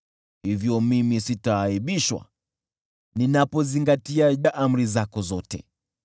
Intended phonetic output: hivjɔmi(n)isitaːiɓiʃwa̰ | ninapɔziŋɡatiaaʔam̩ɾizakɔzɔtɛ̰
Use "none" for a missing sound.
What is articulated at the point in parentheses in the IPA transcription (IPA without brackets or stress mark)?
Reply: m